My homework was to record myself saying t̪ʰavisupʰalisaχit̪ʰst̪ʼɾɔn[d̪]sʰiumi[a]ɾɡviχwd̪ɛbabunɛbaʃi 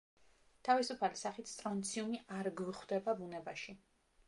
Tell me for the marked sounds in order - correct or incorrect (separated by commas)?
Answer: incorrect, correct